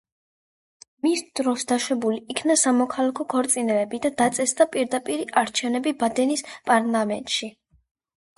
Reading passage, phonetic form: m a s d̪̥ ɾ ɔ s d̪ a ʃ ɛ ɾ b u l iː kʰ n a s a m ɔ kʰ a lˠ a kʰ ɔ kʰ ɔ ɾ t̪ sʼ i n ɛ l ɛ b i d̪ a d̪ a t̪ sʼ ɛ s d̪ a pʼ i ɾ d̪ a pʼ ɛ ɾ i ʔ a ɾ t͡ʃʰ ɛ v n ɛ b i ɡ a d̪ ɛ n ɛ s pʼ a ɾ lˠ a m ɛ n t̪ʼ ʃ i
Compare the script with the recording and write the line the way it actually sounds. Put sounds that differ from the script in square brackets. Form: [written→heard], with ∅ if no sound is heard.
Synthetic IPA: m [a→i] s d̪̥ ɾ ɔ s d̪ a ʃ ɛ [ɾ→∅] b u l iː kʰ n a s a m ɔ kʰ a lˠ a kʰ ɔ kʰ ɔ ɾ t̪ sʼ i n ɛ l ɛ b i d̪ a d̪ a t̪ sʼ ɛ s d̪ a pʼ i ɾ d̪ a pʼ [ɛ→i] ɾ i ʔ a ɾ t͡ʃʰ ɛ v n ɛ b i [ɡ→b] a d̪ ɛ n [ɛ→i] s pʼ a ɾ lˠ a m ɛ n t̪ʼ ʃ i